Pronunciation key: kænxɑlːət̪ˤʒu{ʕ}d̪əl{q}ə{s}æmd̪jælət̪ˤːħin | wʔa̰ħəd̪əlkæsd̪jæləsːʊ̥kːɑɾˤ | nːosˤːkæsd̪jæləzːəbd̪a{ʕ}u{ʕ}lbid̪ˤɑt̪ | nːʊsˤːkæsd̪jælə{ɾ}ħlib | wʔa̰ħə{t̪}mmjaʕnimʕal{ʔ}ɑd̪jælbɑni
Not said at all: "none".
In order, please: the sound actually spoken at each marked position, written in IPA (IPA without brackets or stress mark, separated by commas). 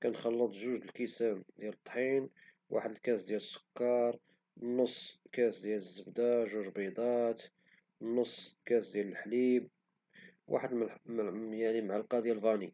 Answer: ʒ, k, s, ʒ, ʒ, l, d̪, q